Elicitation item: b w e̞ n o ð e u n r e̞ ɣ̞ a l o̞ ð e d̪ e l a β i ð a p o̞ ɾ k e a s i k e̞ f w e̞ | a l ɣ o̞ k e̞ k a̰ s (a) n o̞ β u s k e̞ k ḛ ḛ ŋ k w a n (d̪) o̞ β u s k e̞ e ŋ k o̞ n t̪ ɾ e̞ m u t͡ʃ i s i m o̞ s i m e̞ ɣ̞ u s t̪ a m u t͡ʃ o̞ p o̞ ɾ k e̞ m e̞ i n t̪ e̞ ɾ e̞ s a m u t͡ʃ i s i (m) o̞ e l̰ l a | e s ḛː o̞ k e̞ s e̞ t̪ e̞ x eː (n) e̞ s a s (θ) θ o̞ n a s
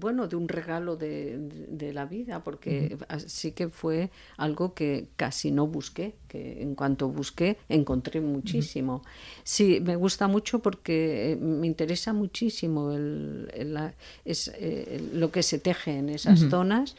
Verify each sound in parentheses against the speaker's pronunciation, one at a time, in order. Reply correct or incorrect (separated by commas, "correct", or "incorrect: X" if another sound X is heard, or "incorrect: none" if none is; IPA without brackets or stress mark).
incorrect: i, incorrect: t̪, correct, correct, correct